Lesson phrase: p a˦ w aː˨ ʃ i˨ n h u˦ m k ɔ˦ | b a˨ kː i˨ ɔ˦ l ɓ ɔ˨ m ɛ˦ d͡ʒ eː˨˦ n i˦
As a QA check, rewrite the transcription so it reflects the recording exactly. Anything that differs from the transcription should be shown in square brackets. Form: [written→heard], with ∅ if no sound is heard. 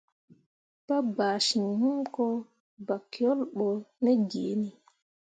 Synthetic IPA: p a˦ [w→b] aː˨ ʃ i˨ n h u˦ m k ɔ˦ | b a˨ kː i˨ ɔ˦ l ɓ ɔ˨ [m→n] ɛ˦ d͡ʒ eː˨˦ n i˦